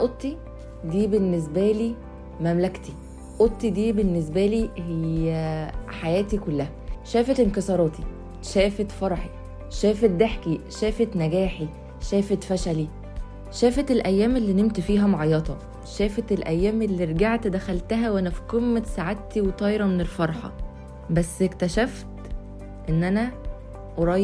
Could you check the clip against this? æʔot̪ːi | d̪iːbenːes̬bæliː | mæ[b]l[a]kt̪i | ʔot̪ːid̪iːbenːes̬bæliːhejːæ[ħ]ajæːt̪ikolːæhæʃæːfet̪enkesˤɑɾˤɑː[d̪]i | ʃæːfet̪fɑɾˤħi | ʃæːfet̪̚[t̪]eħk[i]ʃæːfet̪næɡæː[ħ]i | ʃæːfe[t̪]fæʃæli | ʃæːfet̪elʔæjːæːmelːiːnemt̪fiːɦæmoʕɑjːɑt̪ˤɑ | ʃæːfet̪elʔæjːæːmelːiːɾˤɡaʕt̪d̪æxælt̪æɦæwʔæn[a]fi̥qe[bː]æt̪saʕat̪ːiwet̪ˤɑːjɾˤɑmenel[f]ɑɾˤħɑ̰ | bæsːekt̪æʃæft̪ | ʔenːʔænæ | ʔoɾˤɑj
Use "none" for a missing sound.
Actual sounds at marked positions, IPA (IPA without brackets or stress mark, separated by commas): m, æ, ħ, t̪, d̪, i, ħ, t̪, æ, mː, f